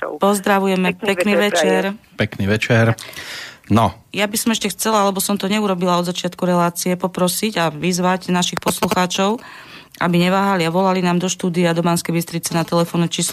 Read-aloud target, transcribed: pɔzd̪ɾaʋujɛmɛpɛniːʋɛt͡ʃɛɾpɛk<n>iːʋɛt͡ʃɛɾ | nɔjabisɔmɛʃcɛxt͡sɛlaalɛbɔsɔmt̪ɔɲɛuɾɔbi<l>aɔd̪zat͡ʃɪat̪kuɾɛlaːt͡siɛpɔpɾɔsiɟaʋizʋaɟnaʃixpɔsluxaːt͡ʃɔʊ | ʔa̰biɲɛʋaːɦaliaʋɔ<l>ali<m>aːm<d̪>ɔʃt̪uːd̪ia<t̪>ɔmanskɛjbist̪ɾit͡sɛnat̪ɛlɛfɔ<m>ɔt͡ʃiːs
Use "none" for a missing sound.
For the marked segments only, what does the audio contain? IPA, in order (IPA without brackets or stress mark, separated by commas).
n, l, l, n, d̪, d̪, n